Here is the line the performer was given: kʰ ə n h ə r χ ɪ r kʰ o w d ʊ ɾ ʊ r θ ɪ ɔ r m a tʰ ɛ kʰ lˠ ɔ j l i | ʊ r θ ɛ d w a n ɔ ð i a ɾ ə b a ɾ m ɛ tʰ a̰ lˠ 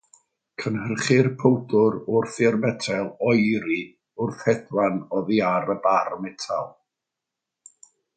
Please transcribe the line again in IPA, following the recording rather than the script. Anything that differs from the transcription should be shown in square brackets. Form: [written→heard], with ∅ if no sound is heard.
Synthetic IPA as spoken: kʰ ə n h ə r χ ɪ r [kʰ→pʰ] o w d ʊ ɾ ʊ r θ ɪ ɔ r m [a→ɛ] tʰ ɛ [kʰ→∅] lˠ ɔ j [l→ɾ] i | ʊ r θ ɛ d w a n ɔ ð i a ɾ ə b a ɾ m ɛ tʰ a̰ lˠ